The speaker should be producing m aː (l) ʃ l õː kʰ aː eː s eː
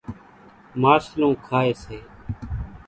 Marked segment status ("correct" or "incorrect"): incorrect